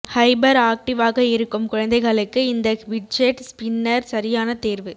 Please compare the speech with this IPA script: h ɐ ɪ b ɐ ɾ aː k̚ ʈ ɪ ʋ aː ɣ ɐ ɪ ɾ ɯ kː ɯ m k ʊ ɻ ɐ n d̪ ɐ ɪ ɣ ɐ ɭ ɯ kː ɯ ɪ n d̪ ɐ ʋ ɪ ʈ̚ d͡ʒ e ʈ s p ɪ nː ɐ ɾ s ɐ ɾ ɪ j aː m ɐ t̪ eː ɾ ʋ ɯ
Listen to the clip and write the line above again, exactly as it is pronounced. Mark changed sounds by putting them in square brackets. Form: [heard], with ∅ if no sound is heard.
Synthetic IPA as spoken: h ɐ ɪ b ɐ ɾ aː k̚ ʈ ɪ ʋ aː ɣ ɐ ɪ ɾ ɯ kː ɯ m k ʊ ɻ ɐ n d̪ ɐ ɪ ɣ ɐ ɭ ɯ kː ɯ ɪ n d̪ ɐ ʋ ɪ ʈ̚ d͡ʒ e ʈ s p ɪ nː ɐ ɾ s ɐ ɾ ɪ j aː [n] ɐ t̪ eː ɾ ʋ ɯ